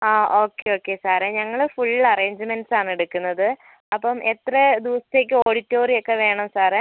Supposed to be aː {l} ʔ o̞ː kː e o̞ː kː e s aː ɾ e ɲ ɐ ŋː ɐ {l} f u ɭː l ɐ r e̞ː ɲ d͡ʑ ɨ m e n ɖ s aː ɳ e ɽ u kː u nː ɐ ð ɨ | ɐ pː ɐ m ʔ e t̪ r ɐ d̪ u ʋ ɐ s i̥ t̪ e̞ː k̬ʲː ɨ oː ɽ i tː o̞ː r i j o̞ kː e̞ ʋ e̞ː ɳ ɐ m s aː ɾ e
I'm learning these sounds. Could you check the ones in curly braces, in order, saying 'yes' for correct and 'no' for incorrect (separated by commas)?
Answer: no, no